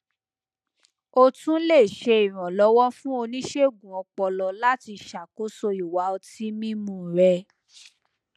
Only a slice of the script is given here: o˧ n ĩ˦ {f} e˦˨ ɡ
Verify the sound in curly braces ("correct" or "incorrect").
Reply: incorrect